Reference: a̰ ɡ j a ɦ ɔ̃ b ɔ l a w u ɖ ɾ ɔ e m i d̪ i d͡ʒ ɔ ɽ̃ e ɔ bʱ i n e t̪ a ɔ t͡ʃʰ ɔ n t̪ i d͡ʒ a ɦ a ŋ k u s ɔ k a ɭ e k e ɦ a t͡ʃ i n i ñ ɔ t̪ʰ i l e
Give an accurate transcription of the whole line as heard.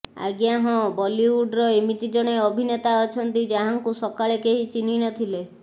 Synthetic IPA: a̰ ɡ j a ɦ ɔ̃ b ɔ l i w u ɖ ɾ ɔ e m i t̪ i d͡ʒ ɔ ɽ̃ e ɔ bʱ i n e t̪ a ɔ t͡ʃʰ ɔ n t̪ i d͡ʒ a ɦ a ŋ k u s ɔ k a ɭ e k e ɦ i t͡ʃ i n i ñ ɔ t̪ʰ i l e